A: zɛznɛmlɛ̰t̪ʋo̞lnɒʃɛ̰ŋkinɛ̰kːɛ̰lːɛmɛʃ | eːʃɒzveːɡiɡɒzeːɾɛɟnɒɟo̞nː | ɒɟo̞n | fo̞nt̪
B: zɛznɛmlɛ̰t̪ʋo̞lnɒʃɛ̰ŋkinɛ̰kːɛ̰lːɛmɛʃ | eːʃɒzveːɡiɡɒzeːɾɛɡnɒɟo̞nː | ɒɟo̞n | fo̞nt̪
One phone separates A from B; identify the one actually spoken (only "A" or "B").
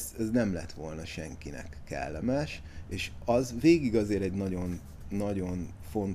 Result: A